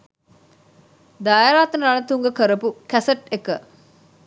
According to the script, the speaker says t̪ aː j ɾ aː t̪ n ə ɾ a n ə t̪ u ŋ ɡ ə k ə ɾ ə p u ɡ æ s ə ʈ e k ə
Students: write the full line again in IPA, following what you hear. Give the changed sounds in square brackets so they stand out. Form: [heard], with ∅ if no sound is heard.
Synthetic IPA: [d̪] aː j ɾ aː t̪ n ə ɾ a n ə t̪ u ŋ ɡ ə k ə ɾ ə p u [k] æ s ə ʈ e k ə